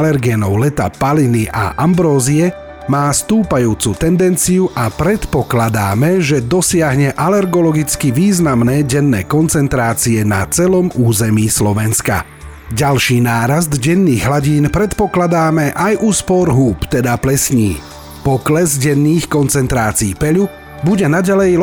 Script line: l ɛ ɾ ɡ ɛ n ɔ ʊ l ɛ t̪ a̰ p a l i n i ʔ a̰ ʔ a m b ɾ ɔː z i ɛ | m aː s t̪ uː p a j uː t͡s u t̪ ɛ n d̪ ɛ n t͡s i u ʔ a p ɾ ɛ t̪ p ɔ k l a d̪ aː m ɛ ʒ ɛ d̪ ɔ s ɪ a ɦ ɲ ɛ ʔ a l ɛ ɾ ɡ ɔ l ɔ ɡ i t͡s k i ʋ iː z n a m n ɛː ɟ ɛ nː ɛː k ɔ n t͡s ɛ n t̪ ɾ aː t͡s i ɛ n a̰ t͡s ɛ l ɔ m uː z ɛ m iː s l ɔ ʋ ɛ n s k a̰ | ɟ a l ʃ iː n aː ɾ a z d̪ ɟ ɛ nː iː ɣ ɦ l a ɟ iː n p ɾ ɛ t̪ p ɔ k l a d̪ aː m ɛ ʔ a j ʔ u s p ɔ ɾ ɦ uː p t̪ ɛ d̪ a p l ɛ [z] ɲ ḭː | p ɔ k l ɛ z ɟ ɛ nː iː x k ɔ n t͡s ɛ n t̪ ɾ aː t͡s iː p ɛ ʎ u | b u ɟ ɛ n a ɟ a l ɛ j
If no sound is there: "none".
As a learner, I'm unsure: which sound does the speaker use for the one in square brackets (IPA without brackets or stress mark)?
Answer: s